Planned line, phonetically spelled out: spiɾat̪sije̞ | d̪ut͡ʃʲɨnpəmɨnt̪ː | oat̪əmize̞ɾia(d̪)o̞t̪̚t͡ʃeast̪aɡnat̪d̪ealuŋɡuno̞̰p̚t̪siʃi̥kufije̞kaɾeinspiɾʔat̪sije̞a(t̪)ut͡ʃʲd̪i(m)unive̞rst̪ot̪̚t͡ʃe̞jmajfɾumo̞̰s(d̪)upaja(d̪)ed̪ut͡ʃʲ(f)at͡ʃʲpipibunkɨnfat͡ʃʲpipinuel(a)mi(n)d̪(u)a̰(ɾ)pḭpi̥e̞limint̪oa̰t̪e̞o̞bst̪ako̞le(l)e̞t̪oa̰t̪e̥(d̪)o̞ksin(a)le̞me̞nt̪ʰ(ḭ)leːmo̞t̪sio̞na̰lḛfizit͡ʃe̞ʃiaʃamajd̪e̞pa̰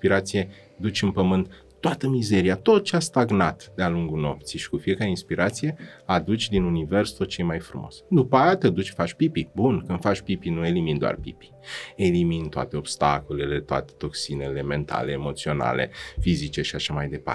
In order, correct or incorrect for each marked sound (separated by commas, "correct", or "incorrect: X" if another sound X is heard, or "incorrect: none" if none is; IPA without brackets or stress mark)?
incorrect: t̪, incorrect: d̪, incorrect: n, correct, incorrect: t̪, correct, incorrect: i, correct, incorrect: o, incorrect: r, correct, incorrect: t̪, incorrect: e, incorrect: a̰